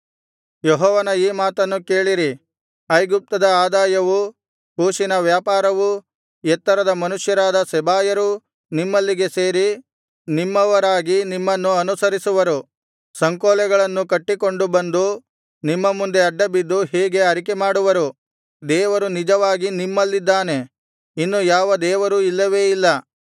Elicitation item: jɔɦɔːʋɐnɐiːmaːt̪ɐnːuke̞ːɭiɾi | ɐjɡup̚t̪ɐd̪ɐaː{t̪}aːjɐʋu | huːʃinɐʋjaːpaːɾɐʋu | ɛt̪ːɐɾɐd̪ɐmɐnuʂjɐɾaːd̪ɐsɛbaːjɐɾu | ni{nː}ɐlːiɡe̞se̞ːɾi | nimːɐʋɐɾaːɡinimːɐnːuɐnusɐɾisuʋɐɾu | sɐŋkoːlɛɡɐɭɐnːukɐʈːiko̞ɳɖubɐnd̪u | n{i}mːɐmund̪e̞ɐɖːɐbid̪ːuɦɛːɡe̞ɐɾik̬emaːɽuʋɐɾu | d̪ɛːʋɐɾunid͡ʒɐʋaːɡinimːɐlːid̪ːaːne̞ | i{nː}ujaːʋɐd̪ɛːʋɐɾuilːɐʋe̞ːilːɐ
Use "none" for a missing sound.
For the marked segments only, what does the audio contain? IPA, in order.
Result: d̪, mː, i, nː

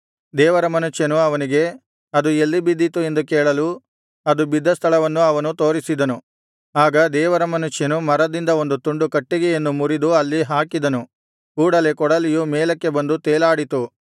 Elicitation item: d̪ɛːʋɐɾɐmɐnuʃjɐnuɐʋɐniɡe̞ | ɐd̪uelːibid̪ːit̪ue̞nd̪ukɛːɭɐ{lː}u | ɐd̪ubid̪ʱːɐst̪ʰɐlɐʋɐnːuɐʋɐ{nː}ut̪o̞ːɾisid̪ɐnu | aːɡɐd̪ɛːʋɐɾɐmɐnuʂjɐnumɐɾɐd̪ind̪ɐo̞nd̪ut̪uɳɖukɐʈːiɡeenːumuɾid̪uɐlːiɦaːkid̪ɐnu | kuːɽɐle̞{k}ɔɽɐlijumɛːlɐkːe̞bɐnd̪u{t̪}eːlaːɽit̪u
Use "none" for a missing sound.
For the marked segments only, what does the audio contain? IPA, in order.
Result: l, n, k, t̪

